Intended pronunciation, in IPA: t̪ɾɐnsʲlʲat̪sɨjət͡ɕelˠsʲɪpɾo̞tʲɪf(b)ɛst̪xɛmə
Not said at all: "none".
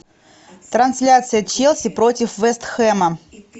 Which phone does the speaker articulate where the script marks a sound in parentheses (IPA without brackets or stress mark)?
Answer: v